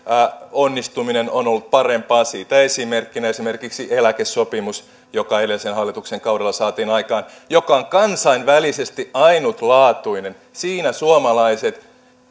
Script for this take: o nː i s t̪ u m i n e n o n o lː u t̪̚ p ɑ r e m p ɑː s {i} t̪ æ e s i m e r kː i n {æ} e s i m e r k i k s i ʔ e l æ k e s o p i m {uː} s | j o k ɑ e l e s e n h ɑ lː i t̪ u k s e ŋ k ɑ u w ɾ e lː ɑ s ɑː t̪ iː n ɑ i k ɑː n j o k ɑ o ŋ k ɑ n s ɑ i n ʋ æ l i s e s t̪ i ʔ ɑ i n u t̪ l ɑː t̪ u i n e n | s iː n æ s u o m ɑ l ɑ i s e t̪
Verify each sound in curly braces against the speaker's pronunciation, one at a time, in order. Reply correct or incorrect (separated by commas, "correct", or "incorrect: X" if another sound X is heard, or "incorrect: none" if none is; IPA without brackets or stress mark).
incorrect: iː, correct, incorrect: u